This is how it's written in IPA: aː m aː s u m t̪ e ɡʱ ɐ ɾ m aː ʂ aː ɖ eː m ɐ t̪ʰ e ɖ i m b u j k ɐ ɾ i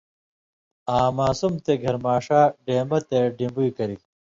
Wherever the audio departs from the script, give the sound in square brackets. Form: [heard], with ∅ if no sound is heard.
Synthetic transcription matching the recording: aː m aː s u m t̪ e ɡʱ ɐ ɾ m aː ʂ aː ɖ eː m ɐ [t̪] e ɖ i m b u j k ɐ ɾ i